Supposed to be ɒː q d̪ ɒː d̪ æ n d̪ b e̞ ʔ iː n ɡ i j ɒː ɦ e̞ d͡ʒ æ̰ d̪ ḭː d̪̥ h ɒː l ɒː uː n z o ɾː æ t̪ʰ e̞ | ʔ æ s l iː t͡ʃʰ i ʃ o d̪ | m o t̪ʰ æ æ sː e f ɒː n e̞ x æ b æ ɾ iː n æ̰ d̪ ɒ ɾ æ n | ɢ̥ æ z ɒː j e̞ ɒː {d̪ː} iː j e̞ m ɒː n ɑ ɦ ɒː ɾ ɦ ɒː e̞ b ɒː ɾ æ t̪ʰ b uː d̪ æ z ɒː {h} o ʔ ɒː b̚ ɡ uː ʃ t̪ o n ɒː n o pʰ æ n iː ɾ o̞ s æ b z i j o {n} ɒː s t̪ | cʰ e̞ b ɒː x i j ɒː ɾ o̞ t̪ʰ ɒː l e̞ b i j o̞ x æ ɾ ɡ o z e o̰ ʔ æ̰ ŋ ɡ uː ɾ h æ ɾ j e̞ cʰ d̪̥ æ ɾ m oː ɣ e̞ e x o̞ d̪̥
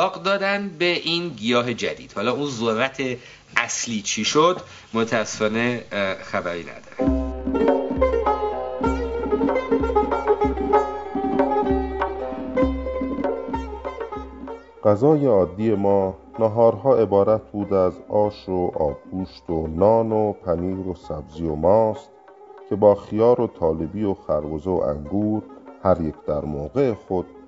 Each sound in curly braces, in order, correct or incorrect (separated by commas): correct, incorrect, incorrect